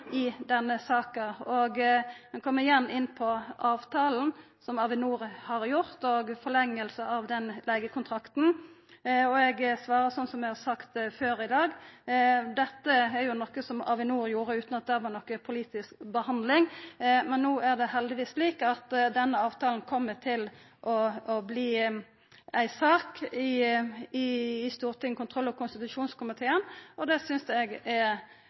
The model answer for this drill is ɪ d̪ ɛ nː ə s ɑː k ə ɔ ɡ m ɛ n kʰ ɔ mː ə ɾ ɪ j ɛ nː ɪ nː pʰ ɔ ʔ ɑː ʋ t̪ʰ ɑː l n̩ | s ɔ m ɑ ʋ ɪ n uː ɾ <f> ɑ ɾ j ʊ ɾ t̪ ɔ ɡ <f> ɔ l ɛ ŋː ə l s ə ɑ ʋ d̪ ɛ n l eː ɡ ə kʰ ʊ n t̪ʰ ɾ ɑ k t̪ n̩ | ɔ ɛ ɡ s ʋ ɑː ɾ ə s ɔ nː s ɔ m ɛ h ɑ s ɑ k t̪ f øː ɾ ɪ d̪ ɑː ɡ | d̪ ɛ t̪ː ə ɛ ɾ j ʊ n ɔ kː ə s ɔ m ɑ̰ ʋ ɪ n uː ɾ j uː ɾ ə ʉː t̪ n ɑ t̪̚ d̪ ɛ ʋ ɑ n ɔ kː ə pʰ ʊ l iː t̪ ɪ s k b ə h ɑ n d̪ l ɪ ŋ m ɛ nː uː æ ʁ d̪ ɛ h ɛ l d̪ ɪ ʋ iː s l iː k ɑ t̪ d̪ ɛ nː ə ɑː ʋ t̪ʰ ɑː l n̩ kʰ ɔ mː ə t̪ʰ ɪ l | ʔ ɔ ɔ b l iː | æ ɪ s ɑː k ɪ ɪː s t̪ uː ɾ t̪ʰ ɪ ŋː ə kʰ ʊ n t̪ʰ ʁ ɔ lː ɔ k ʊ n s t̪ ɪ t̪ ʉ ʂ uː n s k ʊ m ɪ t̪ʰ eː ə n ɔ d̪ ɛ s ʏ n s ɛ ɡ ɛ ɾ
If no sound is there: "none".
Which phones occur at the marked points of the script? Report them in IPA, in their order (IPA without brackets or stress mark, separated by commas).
h, f